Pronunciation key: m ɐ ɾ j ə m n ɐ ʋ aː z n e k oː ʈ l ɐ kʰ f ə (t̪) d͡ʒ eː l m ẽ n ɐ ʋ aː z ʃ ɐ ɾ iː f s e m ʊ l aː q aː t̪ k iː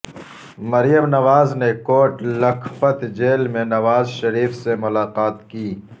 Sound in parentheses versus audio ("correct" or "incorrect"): correct